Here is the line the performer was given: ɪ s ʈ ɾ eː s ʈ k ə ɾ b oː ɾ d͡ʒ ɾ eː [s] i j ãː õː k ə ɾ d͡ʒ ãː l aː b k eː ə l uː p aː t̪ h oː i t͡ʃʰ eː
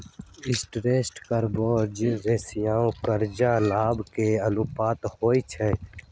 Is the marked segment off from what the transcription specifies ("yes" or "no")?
no